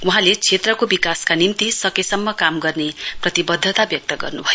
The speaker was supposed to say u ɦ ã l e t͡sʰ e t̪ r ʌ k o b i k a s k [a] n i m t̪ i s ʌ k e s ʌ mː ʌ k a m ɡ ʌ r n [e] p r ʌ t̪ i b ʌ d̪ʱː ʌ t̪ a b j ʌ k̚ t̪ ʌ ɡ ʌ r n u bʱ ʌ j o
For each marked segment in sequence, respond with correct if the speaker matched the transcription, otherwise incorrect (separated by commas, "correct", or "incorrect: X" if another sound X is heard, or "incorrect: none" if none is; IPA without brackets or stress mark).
correct, correct